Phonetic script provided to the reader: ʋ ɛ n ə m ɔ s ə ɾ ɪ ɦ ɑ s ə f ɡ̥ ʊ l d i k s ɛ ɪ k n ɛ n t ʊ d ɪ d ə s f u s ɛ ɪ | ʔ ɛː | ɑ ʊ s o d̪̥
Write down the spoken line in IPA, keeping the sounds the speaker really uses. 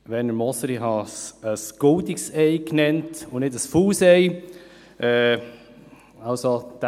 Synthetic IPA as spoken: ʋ ɛ n ə m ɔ s ə ɾ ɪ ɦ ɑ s ə s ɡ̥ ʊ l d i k s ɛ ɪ k n ɛ n t ʊ n ɪ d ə s f uː s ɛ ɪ | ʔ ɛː | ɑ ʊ s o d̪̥